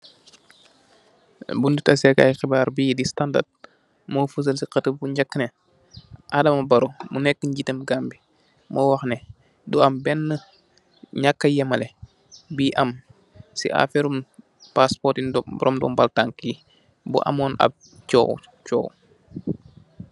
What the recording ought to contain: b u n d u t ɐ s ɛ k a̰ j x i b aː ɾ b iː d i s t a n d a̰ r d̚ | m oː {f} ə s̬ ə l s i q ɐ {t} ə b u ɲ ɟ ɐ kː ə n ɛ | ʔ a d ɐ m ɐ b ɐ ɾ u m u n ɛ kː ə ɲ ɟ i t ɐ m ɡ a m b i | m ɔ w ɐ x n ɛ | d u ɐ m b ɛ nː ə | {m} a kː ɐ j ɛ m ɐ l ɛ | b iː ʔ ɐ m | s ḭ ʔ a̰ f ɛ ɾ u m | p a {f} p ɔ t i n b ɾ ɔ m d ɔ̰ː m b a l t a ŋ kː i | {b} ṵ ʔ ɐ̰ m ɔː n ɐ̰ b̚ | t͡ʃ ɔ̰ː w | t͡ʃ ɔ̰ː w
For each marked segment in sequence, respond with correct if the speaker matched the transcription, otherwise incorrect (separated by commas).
correct, correct, incorrect, incorrect, correct